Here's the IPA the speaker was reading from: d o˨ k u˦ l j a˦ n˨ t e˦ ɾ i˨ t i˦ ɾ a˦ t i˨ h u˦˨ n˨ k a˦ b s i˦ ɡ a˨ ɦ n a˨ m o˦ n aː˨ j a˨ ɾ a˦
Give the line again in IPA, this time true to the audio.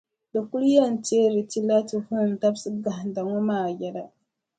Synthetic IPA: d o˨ k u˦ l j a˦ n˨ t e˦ ɾ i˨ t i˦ l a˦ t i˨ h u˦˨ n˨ t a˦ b s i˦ ɡ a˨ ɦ d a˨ ŋ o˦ m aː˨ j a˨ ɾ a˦